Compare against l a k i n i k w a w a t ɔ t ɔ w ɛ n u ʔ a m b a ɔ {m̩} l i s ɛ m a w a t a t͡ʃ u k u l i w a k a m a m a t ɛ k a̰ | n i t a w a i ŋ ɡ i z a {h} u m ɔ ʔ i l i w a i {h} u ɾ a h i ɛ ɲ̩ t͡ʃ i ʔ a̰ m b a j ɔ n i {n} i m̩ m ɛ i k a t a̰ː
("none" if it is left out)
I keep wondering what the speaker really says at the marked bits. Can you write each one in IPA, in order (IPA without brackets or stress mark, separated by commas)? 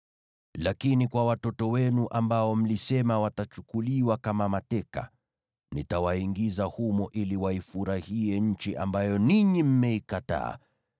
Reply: m̩, h, f, ɲ